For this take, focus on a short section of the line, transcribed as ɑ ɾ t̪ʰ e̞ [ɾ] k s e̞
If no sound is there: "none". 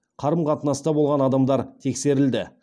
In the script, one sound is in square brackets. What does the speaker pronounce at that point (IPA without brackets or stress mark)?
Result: none